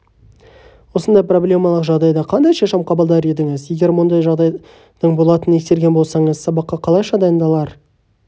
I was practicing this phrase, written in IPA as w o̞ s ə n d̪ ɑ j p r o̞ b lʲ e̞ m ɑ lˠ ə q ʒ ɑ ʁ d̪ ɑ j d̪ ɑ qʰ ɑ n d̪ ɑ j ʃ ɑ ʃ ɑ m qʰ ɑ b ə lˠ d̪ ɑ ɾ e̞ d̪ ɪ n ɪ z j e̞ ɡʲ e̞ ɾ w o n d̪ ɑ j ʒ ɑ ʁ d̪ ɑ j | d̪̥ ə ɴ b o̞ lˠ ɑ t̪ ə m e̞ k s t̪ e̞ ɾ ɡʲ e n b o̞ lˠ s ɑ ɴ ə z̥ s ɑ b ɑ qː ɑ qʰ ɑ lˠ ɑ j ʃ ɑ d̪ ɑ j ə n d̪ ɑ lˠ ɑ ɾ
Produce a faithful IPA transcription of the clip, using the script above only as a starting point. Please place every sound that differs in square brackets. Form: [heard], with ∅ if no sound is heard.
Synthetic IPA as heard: w o̞ s ə n d̪ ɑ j p r o̞ b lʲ e̞ m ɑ lˠ ə q ʒ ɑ ʁ d̪ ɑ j d̪ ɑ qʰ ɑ n d̪ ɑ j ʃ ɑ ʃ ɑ m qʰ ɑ b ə lˠ d̪ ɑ ɾ e̞ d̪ ɪ [ŋ] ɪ z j e̞ ɡʲ e̞ ɾ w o n d̪ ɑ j ʒ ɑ ʁ d̪ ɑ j | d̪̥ ə ɴ b o̞ lˠ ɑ t̪ ə [n] e̞ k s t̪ e̞ ɾ ɡʲ e n b o̞ lˠ s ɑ ɴ ə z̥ s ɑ b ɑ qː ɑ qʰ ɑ lˠ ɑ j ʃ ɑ d̪ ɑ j ə n d̪ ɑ lˠ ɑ ɾ